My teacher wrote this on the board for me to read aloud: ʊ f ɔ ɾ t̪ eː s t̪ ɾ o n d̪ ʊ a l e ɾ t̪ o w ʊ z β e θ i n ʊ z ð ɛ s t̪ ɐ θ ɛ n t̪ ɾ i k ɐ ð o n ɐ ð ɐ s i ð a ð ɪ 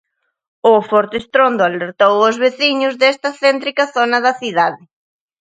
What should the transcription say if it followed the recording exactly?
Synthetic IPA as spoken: ʊ f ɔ ɾ t̪ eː s t̪ ɾ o n d̪ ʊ a l e ɾ t̪ o w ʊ z β e θ i ɲ ʊ z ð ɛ s t̪ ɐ θ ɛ n t̪ ɾ i k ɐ θ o n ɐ ð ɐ θ i ð a ð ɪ